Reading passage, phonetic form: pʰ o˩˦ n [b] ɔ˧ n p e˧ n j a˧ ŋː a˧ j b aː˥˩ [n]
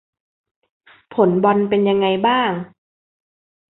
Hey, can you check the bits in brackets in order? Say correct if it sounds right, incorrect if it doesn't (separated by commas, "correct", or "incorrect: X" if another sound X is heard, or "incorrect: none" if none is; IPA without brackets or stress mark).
correct, incorrect: ŋ